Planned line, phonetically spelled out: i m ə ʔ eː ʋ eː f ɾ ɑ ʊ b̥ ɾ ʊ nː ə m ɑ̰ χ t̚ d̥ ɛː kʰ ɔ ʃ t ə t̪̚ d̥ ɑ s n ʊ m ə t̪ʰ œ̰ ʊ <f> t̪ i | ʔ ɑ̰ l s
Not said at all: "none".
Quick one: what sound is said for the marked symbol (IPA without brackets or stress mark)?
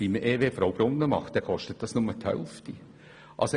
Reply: f